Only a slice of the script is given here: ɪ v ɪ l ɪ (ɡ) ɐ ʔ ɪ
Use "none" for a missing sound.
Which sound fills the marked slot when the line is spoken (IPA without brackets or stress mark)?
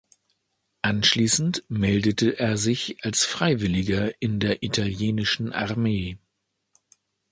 ɡ